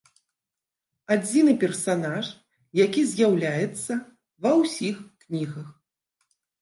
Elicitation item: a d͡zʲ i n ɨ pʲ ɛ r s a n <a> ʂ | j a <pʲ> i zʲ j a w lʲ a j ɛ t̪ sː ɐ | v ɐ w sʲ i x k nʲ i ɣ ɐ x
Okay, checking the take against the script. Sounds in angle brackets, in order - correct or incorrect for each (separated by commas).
correct, incorrect